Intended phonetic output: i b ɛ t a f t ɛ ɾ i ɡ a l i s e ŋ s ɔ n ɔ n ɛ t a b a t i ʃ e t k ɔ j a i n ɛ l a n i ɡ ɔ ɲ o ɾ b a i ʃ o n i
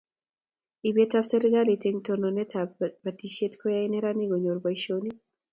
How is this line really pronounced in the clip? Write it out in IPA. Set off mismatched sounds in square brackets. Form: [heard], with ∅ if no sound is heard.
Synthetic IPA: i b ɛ t a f [s] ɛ ɾ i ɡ a l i [t] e ŋ [t] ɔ n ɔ n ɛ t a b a t i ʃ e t k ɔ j a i n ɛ [ɾ] a n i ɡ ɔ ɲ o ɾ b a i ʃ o n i